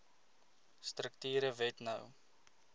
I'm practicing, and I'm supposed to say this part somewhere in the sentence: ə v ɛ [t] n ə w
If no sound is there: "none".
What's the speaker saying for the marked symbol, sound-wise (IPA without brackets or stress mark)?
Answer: t